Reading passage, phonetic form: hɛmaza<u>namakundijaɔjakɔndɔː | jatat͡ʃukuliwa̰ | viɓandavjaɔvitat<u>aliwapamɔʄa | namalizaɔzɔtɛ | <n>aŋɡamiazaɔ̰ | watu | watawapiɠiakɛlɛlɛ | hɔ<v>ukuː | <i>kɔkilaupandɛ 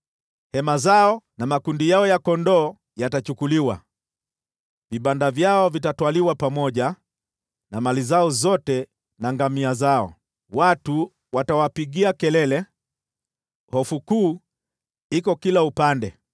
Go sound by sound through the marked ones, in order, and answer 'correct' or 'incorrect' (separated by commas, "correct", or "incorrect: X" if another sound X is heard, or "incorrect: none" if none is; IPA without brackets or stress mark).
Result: incorrect: ɔ, incorrect: w, correct, incorrect: f, correct